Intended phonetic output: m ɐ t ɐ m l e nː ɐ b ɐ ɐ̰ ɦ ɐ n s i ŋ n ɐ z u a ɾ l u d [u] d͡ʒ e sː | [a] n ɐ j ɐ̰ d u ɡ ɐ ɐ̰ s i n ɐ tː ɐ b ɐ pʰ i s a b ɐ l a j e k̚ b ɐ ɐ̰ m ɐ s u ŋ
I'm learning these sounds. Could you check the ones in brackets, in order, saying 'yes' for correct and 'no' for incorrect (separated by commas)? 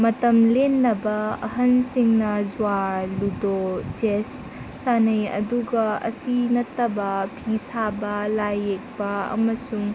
no, yes